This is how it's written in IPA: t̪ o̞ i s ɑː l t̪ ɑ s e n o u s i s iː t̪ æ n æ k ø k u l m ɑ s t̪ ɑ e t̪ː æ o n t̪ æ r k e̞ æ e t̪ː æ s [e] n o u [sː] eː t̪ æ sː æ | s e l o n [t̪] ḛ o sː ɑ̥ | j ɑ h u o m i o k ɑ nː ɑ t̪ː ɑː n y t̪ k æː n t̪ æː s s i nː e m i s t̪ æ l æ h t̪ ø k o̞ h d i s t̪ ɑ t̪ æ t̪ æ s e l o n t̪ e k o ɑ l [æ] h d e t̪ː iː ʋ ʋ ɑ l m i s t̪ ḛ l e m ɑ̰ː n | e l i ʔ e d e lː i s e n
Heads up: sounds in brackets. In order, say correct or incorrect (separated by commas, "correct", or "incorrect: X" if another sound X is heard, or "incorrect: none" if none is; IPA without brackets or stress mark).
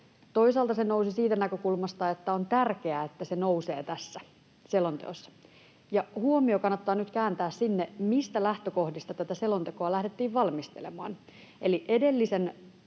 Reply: correct, incorrect: s, correct, correct